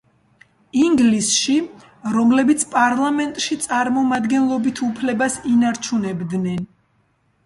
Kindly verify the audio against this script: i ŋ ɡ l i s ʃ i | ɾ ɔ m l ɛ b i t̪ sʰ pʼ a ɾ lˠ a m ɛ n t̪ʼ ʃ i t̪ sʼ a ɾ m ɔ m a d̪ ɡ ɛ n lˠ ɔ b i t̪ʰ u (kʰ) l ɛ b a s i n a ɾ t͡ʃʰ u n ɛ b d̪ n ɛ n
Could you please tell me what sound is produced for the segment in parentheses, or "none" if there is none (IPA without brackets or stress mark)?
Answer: pʰ